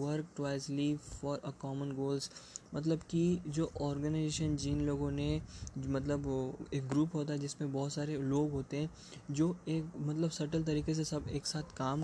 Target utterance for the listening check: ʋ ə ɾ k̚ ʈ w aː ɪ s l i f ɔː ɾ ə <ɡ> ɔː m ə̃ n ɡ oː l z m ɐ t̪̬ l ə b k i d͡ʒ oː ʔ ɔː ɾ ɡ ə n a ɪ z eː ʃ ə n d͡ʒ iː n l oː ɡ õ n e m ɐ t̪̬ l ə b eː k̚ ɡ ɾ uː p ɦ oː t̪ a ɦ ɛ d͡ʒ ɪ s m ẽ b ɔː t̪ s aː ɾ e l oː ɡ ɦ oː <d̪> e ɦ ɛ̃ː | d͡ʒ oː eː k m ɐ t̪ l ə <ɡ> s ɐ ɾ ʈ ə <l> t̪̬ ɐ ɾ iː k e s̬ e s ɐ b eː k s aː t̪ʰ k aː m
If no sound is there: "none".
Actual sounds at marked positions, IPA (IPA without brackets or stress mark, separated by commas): k, t̪, b, l